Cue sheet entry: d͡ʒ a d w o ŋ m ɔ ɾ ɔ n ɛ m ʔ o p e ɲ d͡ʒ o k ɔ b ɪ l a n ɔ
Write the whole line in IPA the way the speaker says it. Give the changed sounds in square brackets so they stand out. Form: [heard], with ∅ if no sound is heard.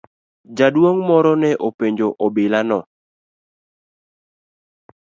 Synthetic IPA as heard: d͡ʒ a d w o ŋ m ɔ ɾ ɔ n ɛ [∅] ʔ o p e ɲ d͡ʒ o [ʔ] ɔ b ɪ l a n ɔ